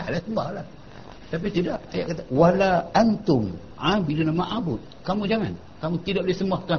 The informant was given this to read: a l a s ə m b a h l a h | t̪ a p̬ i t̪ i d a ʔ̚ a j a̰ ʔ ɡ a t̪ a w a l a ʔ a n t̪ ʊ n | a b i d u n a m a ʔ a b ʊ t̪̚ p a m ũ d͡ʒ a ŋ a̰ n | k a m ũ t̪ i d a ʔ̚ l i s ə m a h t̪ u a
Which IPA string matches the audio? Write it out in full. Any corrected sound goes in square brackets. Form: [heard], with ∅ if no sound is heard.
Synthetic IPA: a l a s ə m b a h l a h | t̪ a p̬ i t̪ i d a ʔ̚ a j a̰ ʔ [k] a t̪ a w a l a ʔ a n t̪ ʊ [m] | a b i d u n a m a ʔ a b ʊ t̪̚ [k] a m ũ d͡ʒ a ŋ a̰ n | k a m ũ t̪ i d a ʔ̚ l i s ə m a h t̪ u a